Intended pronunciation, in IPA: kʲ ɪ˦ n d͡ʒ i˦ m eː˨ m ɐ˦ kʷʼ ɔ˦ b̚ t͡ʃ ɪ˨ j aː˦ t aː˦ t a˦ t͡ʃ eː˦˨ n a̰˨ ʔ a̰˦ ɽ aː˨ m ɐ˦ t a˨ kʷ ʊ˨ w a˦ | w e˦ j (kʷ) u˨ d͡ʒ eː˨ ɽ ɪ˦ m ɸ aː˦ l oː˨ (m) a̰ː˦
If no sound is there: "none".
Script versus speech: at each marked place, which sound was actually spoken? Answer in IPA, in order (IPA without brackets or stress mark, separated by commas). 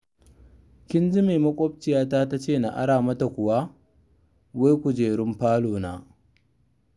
kʷ, n